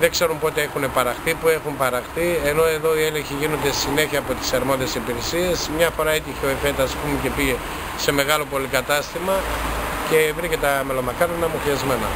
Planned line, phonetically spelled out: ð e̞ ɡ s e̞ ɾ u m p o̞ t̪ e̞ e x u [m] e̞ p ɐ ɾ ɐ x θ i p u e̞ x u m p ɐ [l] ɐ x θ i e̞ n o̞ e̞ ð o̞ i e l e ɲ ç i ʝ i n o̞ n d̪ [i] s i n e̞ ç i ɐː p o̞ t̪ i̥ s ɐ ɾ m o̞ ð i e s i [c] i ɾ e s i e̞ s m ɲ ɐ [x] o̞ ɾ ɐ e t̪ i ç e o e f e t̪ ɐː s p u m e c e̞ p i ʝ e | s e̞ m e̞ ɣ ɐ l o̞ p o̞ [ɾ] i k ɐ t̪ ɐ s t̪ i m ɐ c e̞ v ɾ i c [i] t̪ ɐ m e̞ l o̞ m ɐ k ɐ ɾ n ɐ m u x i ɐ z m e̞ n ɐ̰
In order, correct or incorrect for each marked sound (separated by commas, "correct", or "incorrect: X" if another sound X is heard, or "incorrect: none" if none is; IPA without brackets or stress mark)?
incorrect: n, incorrect: ɾ, incorrect: e, incorrect: p, incorrect: f, incorrect: l, incorrect: e